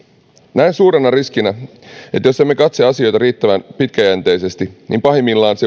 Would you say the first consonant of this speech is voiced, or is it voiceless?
voiced